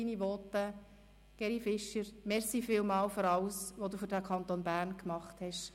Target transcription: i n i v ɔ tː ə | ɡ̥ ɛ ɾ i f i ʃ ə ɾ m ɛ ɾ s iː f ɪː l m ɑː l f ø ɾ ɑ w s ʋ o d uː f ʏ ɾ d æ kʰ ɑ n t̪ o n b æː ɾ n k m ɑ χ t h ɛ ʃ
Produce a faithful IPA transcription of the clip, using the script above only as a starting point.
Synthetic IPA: i n i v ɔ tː ə | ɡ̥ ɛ ɾ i f ɪ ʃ ə ɾ m ɛ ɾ s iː f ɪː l m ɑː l f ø ɾ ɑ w s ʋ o d uː f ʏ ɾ d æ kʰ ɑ n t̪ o n b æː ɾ n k m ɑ χ t h ɛ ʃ